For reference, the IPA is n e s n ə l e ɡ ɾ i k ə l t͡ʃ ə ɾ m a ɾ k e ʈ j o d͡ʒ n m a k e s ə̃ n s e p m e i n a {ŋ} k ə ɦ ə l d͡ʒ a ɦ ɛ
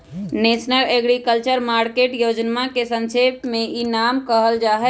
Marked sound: incorrect: m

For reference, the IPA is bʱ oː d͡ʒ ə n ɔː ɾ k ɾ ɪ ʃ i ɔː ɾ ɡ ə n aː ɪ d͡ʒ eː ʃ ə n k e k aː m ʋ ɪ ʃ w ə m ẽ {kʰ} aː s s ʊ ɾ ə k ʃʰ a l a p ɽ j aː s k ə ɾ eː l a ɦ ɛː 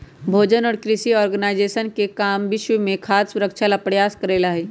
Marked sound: correct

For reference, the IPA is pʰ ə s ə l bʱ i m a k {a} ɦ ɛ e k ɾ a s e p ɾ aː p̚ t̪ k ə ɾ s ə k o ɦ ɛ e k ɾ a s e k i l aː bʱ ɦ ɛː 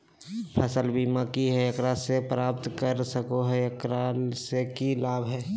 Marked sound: incorrect: i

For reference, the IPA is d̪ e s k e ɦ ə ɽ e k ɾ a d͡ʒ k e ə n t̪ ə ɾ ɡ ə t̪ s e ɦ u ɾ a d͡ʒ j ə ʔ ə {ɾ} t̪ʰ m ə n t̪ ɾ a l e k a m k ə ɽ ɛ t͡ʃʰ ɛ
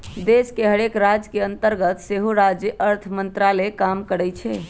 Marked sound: correct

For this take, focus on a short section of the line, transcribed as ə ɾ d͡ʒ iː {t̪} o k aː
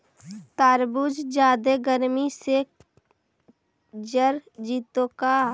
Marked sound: correct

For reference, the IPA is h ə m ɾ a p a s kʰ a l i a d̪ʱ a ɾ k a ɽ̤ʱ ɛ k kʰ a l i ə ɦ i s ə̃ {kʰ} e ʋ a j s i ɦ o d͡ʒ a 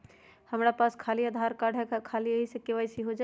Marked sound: incorrect: k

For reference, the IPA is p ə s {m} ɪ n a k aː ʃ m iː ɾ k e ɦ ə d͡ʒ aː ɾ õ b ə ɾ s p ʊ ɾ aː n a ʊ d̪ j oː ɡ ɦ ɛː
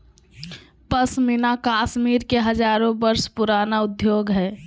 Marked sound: correct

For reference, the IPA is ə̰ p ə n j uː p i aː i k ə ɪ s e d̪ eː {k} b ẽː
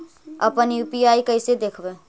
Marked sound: incorrect: kʰ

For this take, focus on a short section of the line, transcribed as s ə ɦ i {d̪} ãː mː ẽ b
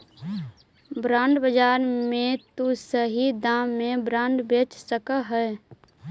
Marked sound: correct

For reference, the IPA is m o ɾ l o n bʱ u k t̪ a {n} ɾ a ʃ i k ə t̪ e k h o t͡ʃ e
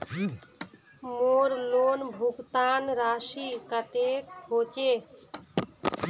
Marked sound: correct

